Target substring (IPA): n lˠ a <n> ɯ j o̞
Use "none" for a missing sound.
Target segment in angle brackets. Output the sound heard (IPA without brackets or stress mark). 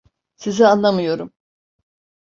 m